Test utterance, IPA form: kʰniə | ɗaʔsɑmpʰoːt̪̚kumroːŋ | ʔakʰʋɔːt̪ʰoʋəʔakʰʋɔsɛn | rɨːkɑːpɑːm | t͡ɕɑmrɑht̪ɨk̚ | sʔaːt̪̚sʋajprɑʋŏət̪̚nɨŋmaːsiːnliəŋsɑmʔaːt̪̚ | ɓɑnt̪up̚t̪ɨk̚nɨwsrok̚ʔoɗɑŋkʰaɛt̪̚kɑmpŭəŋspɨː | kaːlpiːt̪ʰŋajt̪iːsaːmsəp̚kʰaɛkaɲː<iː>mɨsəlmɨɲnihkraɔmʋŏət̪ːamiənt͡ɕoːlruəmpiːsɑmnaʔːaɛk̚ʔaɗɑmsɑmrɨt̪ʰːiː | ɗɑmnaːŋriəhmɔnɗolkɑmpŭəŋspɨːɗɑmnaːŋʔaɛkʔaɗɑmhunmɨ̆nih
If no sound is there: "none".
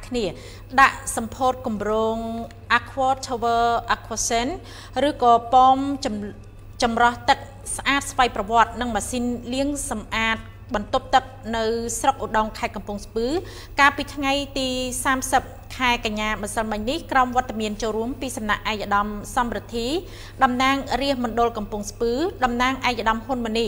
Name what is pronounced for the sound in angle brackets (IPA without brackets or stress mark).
aː